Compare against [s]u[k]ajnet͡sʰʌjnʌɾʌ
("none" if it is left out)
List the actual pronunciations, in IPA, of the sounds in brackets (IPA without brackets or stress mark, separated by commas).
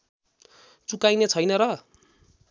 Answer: t͡s, k